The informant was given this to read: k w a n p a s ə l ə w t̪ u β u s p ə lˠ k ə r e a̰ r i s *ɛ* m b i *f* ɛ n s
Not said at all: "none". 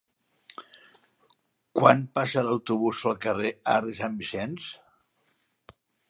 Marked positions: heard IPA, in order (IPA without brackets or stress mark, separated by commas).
a, s